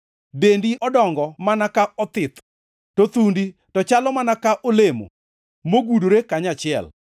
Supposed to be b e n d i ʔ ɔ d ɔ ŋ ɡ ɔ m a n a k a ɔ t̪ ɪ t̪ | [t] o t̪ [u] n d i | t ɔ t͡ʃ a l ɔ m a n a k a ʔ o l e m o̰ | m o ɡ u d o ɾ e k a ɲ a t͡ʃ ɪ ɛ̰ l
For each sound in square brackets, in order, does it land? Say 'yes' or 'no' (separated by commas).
yes, yes